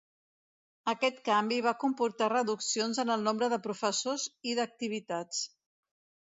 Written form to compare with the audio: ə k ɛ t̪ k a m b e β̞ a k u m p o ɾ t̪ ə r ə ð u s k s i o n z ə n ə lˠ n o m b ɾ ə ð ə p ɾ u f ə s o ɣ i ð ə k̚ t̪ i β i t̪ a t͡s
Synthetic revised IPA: ə k ɛ t̪ k a m b i β̞ a k u m p u ɾ t̪ a r ə ð u k s i o n z ə n ə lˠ n o m b ɾ ə ð ə p ɾ u f ə s o z i ð ə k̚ t̪ i β i t̪ a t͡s